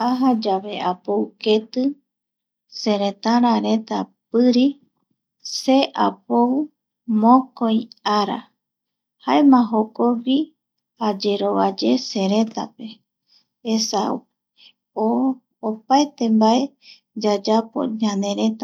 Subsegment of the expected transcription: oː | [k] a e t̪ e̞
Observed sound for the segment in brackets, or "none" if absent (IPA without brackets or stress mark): p